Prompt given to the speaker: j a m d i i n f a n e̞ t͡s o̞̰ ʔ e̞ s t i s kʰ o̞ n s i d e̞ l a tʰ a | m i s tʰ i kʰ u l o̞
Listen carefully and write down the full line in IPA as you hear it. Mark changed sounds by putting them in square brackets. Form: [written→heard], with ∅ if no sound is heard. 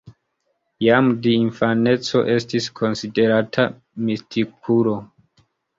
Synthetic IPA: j a m d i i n f a n e̞ t͡s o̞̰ ʔ e̞ s t i s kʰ o̞ n s i d e̞ [l→ɾ] a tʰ a | m i s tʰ i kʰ u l o̞